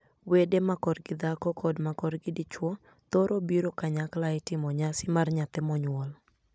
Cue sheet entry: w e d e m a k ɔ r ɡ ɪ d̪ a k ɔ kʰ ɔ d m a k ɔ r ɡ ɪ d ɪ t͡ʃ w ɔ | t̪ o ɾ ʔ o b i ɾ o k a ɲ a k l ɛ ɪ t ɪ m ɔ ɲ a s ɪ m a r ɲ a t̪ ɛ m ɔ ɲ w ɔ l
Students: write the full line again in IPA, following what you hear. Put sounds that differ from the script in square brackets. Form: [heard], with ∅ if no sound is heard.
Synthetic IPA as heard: w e d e m a k ɔ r ɡ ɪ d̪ a k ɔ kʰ ɔ d m a k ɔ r ɡ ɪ d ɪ t͡ʃ w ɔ | t̪ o ɾ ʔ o b i ɾ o k a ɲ a k l [a] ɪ t ɪ m ɔ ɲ a s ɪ m a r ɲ a t̪ ɛ m ɔ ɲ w ɔ l